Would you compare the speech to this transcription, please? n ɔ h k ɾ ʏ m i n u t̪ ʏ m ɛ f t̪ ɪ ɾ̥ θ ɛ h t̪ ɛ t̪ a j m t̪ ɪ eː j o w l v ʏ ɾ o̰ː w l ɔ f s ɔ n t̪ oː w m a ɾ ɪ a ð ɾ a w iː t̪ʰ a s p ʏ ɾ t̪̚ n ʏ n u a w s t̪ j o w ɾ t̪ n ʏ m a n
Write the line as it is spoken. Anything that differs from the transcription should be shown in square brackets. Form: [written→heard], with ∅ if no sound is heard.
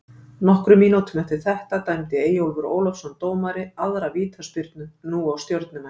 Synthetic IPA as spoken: n ɔ h k ɾ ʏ m i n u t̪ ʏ m ɛ f t̪ ɪ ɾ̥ θ ɛ h t̪ [ɛ→a] t̪ a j m t̪ ɪ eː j o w l v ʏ ɾ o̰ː w l ɔ f s ɔ n t̪ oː w m a ɾ ɪ a ð ɾ a [w→v] iː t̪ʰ a s p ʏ ɾ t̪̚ n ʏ n u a w s t̪ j o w ɾ t̪ n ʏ m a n